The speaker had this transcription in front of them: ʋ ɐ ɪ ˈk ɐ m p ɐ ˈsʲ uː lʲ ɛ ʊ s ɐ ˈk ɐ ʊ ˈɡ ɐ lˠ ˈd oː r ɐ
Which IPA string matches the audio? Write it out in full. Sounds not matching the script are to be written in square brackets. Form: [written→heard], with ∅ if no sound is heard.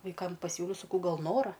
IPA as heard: ʋ ɐ ɪ ˈk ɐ m p ɐ ˈsʲ uː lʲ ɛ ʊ s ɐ ˈk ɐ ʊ ˈɡ ɐ lˠ [ˈd→ˈn] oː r ɐ